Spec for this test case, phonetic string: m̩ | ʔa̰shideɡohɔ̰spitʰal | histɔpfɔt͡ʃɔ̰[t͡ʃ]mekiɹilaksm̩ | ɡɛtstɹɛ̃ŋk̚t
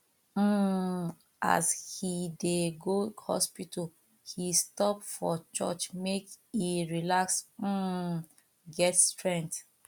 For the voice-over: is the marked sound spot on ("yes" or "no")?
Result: yes